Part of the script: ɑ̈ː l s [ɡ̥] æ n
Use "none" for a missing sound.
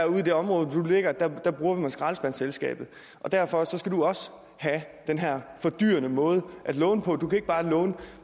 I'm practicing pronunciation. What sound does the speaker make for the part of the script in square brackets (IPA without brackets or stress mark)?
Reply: b̥